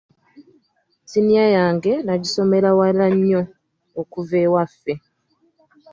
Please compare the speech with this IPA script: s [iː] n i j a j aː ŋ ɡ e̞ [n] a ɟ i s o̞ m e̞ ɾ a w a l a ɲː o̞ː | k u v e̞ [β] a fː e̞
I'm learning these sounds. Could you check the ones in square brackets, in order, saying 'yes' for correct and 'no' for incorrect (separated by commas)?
no, yes, no